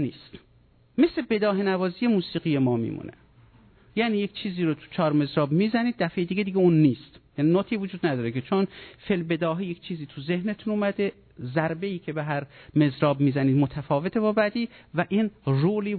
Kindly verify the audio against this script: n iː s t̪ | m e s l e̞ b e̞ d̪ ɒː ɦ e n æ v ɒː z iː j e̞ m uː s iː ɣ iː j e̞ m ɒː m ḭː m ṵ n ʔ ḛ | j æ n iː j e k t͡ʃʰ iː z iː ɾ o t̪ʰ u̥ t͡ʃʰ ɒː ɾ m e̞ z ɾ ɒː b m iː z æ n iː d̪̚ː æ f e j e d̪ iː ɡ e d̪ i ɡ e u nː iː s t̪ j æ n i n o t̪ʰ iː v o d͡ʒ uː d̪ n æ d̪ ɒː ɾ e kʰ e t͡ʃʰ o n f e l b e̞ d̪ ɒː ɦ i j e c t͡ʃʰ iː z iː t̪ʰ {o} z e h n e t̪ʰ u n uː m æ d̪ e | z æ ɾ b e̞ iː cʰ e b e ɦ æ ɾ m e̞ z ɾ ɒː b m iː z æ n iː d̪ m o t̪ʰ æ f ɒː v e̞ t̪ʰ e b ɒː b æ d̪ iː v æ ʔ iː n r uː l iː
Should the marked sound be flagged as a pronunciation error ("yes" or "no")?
yes